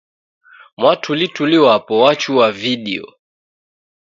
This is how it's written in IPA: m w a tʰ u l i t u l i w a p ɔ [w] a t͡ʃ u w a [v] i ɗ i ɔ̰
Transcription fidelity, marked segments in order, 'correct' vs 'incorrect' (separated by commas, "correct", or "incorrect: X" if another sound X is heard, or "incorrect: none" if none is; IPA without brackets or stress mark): correct, correct